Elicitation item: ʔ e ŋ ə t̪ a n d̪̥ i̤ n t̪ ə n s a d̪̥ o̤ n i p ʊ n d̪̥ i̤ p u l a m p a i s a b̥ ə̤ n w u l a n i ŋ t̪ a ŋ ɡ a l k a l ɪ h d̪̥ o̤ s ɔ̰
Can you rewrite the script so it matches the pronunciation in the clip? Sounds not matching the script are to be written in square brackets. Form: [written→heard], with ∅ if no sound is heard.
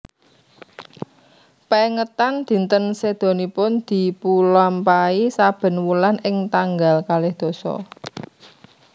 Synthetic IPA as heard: [ʔ→p] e ŋ ə t̪ a n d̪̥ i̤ n t̪ ə n s [a→e] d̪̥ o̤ n i p ʊ n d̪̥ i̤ p u l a m p a i s a b̥ ə̤ n w u l a n [i→ɪ] ŋ t̪ a ŋ ɡ a l k a l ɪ h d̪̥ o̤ s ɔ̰